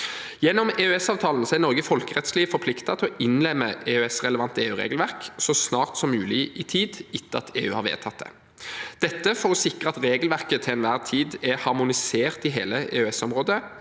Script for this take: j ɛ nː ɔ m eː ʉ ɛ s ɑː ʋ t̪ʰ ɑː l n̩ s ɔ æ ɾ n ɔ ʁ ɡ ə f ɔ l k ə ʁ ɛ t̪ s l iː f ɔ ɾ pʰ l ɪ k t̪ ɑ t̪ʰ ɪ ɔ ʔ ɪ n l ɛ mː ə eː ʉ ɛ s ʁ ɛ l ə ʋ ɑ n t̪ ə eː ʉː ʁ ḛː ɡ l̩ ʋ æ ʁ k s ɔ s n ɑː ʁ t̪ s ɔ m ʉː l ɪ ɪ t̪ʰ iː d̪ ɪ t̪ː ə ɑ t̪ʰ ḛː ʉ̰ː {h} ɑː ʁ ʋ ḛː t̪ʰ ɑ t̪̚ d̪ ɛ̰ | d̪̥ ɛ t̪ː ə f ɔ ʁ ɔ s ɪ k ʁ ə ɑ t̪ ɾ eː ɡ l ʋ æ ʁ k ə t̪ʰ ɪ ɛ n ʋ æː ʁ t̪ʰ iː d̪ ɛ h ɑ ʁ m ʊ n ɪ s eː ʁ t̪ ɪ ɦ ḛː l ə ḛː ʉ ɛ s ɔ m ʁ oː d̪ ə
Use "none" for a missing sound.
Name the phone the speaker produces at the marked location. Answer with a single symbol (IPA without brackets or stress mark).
h